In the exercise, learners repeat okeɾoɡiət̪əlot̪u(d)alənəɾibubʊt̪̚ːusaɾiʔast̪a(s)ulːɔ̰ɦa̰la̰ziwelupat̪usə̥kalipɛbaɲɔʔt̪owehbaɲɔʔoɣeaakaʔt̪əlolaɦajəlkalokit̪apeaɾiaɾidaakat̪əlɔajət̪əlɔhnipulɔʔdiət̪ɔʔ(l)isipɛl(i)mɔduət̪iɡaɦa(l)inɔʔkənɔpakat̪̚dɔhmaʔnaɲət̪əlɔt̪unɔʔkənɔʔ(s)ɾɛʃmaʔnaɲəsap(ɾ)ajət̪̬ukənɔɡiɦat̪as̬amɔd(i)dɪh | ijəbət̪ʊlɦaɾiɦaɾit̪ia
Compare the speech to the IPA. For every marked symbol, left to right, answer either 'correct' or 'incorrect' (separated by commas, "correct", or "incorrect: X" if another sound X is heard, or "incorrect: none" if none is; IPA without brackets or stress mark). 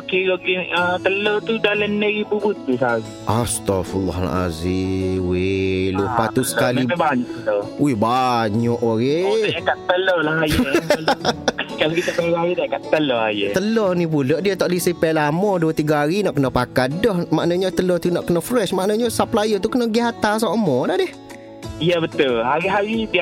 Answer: correct, incorrect: f, correct, incorrect: a, incorrect: ɾ, incorrect: f, incorrect: l, incorrect: a